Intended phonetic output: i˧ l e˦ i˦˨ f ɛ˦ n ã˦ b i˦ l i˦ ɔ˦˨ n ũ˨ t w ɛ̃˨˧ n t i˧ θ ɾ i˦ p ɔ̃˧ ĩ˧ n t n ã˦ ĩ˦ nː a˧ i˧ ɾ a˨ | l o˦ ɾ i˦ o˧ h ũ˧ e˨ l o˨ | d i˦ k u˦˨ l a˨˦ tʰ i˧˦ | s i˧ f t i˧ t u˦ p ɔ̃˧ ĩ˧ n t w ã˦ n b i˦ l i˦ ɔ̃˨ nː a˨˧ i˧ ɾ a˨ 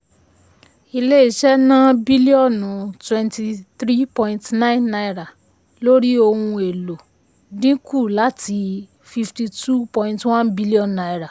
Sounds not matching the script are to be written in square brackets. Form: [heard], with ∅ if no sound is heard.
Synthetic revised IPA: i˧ l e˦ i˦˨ [ʃ] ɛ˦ n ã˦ b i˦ l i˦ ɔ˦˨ n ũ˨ t w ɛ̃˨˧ n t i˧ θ ɾ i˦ p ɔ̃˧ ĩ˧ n t n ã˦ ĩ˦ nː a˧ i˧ ɾ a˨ | l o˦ ɾ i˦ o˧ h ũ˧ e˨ l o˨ | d [ĩ˦] k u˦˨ l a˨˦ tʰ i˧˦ | [f] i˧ f t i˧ t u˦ p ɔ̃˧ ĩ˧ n t w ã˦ n b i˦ l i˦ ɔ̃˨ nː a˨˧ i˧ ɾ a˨